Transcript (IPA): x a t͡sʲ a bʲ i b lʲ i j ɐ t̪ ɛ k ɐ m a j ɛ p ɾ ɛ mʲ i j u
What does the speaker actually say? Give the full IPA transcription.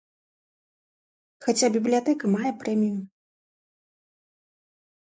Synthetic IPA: x a t͡sʲ a bʲ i b lʲ i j a t̪ ɛ k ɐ m a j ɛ p ɾ ɛ mʲ i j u